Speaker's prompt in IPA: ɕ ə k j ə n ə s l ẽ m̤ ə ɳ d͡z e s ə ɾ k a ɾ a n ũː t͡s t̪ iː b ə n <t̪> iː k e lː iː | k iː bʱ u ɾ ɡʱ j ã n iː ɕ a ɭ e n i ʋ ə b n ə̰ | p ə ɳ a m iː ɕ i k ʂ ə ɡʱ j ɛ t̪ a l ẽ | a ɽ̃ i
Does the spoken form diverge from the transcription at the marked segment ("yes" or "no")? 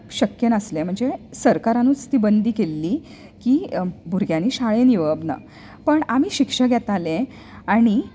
yes